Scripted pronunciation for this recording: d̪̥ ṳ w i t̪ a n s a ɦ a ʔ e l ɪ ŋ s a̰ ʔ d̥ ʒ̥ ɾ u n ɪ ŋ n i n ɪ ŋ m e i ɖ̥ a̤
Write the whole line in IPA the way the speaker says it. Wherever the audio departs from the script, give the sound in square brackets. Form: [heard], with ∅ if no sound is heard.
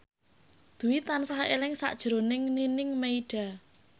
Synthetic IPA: d̪̥ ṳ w i t̪ a n s a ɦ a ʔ e l ɪ ŋ s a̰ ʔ d̥ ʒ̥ ɾ [o] n ɪ ŋ n i n ɪ ŋ m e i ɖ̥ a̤